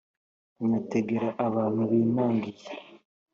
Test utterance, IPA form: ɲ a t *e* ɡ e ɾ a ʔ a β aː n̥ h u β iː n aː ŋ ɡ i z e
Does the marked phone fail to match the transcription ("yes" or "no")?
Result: no